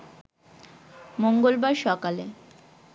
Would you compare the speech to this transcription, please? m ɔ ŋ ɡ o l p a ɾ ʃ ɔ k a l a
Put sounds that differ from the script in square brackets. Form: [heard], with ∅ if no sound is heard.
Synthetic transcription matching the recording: m [o] ŋ ɡ o l [b] a ɾ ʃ ɔ k a l [e]